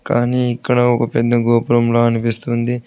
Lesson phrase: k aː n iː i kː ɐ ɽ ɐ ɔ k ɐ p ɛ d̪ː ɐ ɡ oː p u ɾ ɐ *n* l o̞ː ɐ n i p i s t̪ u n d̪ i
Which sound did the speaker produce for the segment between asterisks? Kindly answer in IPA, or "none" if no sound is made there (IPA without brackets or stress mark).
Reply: m